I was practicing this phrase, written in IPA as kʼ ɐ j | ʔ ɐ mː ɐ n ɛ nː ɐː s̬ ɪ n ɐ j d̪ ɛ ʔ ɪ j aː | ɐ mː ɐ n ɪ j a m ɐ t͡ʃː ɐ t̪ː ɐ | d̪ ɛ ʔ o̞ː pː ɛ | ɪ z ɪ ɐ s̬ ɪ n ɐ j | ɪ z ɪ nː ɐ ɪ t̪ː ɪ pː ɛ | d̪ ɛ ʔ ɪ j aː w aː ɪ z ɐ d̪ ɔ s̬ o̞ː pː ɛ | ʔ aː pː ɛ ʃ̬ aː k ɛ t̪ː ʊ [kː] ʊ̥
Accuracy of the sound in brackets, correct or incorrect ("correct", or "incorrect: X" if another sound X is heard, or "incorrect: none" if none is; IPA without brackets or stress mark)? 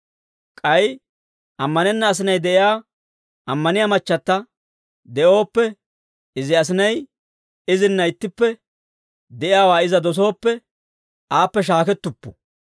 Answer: incorrect: pː